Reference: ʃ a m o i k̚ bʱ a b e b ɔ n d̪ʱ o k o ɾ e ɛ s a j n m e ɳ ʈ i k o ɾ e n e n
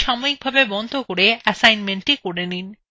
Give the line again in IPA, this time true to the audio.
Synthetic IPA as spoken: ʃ a m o i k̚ bʱ a b e b ɔ n d̪ʱ o k o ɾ e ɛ s a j n m e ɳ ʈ i k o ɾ e n i n